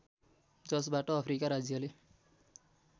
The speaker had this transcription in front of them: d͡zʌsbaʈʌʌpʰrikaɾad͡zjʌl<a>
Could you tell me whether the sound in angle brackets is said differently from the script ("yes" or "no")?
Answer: yes